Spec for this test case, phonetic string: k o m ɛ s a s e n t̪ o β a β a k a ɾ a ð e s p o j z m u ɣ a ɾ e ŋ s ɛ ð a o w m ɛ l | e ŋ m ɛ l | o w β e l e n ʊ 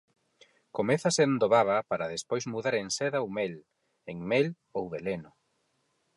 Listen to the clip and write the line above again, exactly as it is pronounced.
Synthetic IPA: k o m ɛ θ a s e n d̪ o β a β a p a ɾ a ð e s p o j z m u ð a ɾ e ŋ s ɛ ð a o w m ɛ l | e ŋ m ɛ l | o w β e l e n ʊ